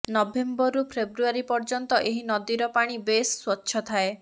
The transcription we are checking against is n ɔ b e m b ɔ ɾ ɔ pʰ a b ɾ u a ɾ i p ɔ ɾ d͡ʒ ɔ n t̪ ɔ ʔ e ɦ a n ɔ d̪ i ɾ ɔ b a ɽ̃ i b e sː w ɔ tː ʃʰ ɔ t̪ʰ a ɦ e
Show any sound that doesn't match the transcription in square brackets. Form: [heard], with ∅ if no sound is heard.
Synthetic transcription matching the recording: n ɔ b e m b ɔ ɾ [u] pʰ [e] b ɾ u a ɾ i p ɔ ɾ d͡ʒ ɔ n t̪ ɔ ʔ e ɦ [i] n ɔ d̪ i ɾ ɔ [p] a ɽ̃ i b e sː w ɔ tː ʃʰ ɔ t̪ʰ a [∅] e